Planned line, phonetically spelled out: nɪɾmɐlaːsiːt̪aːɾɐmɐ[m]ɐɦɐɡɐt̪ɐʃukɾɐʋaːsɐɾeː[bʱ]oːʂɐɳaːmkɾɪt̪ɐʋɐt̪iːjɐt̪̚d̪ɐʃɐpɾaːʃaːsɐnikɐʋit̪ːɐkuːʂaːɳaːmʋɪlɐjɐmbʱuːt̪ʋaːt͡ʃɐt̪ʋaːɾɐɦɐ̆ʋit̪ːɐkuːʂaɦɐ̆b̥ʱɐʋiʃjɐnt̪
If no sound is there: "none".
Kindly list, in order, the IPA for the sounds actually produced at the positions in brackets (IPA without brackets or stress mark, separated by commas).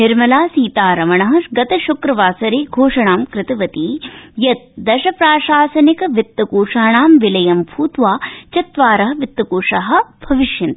ɳ, ɡʱ